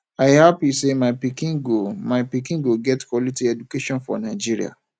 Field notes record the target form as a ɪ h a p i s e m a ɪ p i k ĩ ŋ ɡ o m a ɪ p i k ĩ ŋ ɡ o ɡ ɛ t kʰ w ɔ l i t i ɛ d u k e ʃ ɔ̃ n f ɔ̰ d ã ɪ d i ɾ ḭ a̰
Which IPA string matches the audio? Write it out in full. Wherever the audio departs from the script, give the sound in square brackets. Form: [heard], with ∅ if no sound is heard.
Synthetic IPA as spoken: a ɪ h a p i s e m a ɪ p i k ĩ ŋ ɡ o m a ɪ p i k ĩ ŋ ɡ o ɡ ɛ t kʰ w ɔ l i t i ɛ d u k e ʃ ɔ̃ n f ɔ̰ [n] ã ɪ [d͡ʒ] i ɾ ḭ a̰